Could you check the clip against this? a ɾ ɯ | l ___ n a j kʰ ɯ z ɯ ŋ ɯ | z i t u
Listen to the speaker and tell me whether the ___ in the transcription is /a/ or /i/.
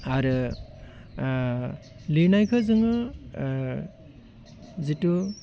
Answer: i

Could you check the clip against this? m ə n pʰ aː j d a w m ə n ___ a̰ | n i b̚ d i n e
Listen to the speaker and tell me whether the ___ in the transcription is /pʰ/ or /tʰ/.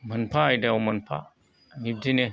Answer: pʰ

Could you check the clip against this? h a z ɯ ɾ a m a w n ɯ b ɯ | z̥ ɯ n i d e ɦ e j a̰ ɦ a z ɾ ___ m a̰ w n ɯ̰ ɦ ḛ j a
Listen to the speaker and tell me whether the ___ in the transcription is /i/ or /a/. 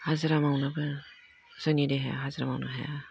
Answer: a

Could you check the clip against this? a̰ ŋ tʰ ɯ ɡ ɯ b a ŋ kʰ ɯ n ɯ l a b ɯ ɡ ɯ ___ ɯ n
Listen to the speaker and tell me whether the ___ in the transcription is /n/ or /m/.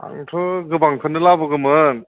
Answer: m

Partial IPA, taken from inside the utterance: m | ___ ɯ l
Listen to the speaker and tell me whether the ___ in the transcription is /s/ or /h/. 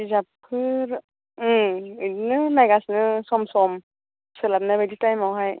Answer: s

